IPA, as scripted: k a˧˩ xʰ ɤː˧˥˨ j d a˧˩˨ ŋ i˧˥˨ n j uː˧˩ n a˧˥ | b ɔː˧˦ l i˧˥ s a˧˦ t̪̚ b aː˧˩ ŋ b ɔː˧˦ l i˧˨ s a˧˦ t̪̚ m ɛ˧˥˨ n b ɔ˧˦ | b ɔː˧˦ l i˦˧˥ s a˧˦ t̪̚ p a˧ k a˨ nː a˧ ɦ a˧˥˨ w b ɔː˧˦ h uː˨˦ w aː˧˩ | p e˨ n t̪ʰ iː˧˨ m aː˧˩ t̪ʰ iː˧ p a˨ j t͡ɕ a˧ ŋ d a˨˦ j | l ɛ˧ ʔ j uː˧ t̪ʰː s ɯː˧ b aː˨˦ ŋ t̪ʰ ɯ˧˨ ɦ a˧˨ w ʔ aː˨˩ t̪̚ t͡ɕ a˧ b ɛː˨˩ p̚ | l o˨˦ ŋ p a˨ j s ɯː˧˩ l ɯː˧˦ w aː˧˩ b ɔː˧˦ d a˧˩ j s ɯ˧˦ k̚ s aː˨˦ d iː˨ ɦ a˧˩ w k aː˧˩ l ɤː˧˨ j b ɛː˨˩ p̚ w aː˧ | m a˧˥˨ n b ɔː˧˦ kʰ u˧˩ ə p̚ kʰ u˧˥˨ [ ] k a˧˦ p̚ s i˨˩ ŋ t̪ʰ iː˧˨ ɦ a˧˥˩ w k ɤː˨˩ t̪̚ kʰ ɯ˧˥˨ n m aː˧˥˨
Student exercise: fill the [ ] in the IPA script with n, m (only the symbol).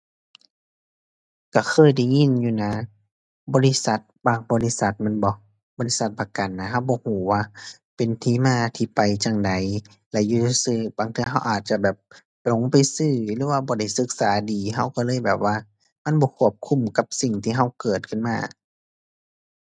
m